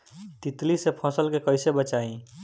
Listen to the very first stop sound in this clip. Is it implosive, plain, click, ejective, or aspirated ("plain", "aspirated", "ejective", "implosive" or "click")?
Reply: plain